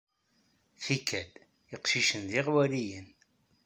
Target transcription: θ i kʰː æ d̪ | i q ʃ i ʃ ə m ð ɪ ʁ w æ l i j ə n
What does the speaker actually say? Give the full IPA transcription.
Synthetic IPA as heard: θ i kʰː æ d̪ | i q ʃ i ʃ ə n ð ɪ ʁ w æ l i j ə n